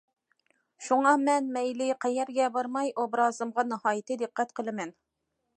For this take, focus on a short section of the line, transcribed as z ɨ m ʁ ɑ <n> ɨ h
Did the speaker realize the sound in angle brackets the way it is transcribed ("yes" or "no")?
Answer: yes